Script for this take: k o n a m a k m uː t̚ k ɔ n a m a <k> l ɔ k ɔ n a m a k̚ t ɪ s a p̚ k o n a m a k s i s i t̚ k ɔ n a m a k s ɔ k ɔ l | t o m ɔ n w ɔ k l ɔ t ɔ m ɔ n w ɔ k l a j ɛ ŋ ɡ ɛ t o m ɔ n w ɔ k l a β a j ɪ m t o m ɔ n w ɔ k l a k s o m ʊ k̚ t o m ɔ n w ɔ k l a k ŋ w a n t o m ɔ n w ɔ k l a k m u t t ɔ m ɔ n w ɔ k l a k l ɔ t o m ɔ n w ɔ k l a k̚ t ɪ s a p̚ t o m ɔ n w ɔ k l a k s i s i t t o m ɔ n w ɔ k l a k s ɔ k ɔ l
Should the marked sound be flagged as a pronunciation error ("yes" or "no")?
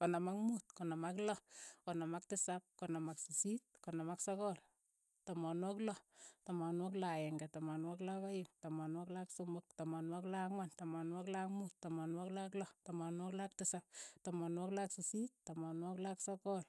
no